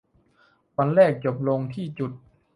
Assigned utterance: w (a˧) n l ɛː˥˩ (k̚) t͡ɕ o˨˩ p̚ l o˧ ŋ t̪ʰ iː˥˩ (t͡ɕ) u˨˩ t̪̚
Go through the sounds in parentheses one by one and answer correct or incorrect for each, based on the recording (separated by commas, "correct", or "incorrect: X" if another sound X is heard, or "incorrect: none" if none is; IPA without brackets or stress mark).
correct, correct, correct